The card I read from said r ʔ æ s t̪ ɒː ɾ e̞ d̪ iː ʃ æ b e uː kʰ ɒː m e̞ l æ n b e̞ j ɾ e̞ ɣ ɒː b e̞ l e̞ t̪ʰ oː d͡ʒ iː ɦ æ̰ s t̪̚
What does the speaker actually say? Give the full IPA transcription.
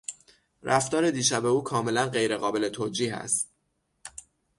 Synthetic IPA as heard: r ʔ æ f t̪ ɒː ɾ e̞ d̪ iː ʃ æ b e uː kʰ ɒː m e̞ l æ n ɢ e̞ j ɾ e̞ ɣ ɒː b e̞ l e̞ t̪ʰ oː d͡ʒ iː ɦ æ̰ s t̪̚